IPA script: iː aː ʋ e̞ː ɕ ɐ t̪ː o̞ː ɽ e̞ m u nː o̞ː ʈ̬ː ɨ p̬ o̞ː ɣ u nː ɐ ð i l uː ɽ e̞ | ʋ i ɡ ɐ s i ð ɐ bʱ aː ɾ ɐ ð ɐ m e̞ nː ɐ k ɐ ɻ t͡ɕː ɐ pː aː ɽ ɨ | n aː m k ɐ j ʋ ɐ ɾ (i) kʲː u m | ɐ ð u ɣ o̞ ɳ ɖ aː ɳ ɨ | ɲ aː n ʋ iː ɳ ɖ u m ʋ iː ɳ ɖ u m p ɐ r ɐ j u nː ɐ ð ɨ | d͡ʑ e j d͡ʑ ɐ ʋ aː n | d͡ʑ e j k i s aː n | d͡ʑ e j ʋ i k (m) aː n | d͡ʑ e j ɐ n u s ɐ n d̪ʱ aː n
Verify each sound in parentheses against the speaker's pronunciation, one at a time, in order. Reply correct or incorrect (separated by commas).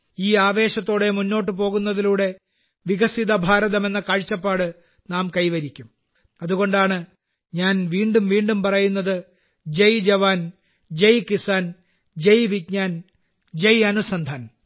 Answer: correct, incorrect